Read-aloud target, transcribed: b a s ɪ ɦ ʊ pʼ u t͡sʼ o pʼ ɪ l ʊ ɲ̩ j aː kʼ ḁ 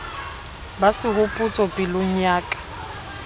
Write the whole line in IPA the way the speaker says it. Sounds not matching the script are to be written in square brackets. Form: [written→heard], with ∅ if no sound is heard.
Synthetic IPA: b a s ɪ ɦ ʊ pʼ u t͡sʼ [o→ɔ] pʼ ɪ l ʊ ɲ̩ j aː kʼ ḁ

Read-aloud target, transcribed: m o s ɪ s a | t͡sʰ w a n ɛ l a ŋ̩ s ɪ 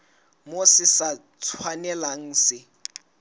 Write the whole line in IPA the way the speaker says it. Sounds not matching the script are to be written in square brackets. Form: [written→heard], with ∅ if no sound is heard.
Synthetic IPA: m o s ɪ s a | t͡sʰ w a n ɛ l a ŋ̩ s ɪ

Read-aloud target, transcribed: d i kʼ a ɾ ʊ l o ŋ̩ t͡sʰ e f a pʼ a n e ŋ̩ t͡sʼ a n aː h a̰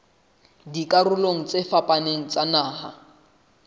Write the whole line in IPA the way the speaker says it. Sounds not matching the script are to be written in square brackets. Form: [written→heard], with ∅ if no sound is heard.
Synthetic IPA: d i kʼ a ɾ ʊ l o ŋ̩ [t͡sʰ→t͡s] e f a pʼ a n e ŋ̩ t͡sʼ a n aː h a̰

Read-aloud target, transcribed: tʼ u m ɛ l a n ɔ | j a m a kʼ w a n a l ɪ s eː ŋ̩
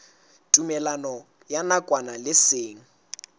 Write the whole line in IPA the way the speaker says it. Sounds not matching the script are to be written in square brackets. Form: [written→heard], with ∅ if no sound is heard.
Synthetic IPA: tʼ u m ɛ l a n ɔ | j a [m→n] a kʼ w a n a l ɪ s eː ŋ̩

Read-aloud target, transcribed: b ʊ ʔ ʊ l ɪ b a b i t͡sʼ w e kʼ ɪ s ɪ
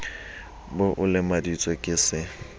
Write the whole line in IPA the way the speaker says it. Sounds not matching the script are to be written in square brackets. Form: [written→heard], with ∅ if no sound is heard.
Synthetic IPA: b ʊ ʔ ʊ l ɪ [b→m] a [b→d] i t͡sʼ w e kʼ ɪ s ɪ

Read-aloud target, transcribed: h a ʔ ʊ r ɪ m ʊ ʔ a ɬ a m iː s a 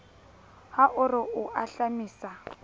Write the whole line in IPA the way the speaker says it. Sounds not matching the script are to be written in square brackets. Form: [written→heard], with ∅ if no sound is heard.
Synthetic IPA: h a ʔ ʊ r ɪ [m→∅] ʊ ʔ a ɬ a m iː s a

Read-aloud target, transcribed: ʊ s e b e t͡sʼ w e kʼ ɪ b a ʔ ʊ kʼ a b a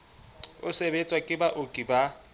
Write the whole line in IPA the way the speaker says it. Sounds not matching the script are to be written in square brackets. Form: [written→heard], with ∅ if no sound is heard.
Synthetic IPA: ʊ s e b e t͡sʼ w [e→a] kʼ ɪ b a ʔ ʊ kʼ [a→i] b a

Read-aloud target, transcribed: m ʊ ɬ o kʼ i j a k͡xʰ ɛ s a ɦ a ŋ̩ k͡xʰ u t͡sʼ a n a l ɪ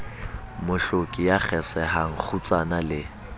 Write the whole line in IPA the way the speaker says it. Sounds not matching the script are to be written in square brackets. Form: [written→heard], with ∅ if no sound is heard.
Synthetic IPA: m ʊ ɬ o kʼ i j a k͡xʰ ɛ s [a→ɛ] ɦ a ŋ̩ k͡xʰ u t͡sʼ a n a l ɪ

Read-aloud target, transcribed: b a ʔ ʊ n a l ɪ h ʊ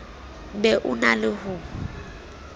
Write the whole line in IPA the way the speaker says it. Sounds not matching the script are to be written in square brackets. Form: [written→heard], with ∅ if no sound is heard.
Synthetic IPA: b [a→ɛ] ʔ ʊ n a l ɪ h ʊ

